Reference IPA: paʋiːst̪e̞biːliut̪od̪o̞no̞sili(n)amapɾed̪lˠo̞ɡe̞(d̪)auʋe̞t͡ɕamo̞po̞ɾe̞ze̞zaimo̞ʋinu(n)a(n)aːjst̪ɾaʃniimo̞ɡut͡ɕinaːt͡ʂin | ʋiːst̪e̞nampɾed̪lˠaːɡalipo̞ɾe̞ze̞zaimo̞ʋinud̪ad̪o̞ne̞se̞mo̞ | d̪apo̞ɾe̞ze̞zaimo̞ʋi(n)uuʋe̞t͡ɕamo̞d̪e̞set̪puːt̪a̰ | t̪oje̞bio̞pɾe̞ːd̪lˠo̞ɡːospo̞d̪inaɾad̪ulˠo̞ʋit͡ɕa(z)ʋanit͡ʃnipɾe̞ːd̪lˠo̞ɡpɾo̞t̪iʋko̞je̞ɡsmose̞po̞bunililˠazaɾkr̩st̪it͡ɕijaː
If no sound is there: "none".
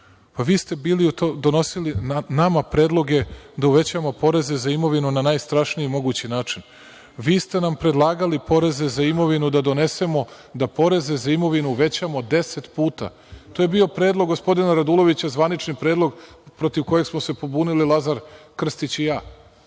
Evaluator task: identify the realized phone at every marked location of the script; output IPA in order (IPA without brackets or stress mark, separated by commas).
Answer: n, d̪, n, n, n, z